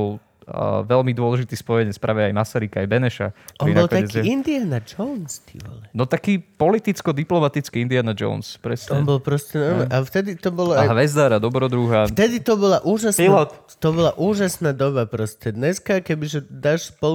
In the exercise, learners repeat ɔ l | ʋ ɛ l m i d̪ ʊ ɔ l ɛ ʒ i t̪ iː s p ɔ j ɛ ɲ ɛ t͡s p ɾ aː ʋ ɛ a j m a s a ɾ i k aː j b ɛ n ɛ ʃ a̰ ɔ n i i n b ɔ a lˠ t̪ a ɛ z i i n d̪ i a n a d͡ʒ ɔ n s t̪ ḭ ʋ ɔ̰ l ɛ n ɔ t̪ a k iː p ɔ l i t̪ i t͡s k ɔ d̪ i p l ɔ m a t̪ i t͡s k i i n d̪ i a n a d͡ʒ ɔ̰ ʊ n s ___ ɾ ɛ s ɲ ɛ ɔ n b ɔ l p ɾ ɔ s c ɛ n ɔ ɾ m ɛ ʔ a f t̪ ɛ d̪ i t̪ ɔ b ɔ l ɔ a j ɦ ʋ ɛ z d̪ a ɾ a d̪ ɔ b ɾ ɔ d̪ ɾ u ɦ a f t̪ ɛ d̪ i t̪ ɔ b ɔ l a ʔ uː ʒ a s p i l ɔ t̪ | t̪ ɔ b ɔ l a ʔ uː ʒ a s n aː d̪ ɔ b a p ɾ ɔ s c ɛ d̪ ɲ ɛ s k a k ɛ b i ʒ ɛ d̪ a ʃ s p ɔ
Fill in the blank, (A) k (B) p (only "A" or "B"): B